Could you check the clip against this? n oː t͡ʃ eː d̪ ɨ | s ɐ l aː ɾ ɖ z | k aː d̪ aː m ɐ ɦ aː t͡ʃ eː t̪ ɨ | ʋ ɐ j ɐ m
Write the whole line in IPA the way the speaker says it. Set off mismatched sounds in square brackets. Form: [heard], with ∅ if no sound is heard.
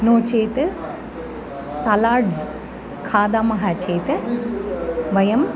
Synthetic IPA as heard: n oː t͡ʃ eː [t̪] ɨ | s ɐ l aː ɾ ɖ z | [kʰ] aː d̪ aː m ɐ ɦ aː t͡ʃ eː t̪ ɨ | ʋ ɐ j ɐ m